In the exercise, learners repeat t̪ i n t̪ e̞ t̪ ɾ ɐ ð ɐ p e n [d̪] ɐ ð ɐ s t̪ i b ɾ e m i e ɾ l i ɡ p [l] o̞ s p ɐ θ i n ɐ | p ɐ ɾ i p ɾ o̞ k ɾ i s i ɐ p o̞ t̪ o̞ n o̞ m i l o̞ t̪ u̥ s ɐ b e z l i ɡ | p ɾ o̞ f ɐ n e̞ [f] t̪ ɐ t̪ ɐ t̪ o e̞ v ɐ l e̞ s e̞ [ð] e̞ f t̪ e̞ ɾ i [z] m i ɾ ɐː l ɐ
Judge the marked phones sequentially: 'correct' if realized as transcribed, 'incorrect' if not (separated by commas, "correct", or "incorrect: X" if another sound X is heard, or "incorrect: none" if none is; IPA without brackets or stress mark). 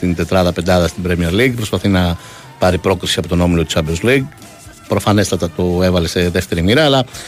correct, incorrect: ɾ, incorrect: s, correct, incorrect: none